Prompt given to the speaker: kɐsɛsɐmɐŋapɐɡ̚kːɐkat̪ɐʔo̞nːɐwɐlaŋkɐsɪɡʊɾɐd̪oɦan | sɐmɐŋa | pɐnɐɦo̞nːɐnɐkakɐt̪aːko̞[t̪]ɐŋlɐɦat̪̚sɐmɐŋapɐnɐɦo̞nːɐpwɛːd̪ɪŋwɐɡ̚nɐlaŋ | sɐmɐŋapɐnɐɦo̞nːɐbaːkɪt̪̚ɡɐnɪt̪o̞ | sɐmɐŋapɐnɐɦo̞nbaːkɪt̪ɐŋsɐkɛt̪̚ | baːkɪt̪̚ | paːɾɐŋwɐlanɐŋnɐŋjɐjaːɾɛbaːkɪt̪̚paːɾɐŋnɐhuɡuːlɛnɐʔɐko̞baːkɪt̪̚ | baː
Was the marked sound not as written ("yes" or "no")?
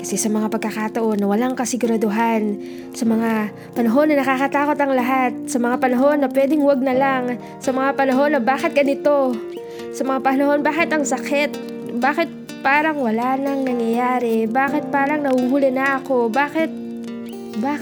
no